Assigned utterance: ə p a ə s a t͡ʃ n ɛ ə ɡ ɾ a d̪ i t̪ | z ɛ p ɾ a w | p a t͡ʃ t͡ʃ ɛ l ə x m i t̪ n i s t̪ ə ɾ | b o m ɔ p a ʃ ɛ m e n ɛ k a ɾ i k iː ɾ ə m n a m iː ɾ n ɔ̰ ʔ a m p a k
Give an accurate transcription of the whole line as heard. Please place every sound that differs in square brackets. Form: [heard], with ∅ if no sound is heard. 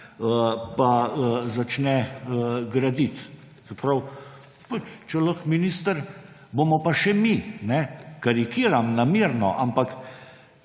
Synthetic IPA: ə p a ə [z] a t͡ʃ n ɛ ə ɡ ɾ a d̪ i t̪ | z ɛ p ɾ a w | p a t͡ʃ t͡ʃ ɛ l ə x m i [∅] n i s t̪ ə ɾ | b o m ɔ p a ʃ ɛ m [i] n ɛ k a ɾ i k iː ɾ [a] m n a m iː ɾ n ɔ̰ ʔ a m p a k